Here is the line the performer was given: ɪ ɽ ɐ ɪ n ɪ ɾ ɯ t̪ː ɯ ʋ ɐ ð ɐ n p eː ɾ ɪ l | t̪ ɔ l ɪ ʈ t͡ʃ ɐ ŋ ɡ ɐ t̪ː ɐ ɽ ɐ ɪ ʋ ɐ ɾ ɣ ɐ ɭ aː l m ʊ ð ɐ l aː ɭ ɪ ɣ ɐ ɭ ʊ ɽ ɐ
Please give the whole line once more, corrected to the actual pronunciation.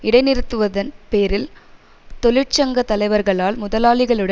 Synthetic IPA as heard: ɪ ɽ ɐ ɪ n ɪ ɾ ɯ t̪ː ɯ ʋ ɐ ð ɐ n p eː ɾ ɪ l | t̪ ɔ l ɪ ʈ t͡ʃ ɐ ŋ ɡ ɐ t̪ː ɐ l ɐ ɪ ʋ ɐ ɾ ɣ ɐ ɭ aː l m ʊ ð ɐ l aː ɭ ɪ ɣ ɐ ɭ ɯ ɽ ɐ